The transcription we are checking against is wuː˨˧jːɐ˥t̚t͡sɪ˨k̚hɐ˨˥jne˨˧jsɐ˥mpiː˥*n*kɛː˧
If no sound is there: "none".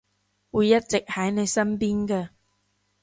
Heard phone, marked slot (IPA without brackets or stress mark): n